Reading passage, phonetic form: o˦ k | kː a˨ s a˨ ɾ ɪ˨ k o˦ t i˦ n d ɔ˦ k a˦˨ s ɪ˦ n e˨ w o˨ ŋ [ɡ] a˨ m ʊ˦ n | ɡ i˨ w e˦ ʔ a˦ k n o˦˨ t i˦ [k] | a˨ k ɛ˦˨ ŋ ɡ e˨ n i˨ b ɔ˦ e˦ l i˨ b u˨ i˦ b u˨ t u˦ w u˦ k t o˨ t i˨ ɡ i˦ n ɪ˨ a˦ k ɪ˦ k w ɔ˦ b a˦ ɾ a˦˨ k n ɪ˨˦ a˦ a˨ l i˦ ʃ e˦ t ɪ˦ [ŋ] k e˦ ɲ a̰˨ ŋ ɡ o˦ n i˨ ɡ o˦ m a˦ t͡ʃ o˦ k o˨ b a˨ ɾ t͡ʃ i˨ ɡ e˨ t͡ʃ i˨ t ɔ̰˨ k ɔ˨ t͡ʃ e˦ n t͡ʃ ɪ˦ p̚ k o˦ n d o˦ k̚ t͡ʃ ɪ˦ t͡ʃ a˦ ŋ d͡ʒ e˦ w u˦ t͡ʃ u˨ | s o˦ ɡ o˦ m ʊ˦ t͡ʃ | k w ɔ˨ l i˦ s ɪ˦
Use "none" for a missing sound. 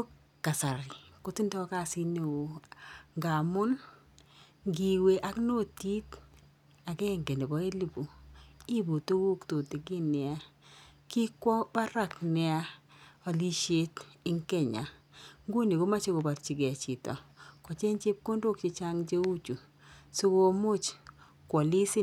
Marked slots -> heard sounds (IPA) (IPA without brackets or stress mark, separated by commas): ɡ, t, ŋ